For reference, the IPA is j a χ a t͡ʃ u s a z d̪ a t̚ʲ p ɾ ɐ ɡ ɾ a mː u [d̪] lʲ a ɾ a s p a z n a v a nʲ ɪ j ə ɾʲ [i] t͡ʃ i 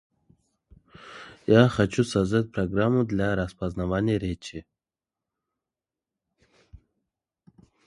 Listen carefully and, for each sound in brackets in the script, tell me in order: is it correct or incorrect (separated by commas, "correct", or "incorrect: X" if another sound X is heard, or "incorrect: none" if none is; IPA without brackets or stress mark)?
correct, incorrect: e